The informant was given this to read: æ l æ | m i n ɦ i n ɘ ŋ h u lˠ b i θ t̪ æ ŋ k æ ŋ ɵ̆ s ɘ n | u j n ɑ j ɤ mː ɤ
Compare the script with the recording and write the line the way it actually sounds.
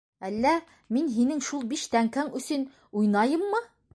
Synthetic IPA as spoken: æ lː æ | m i n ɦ i n ɘ ŋ ʃ u lˠ b i ʃ t̪ æ ŋ k æ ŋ ɵ̆ s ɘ n | u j n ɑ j ɤ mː ɤ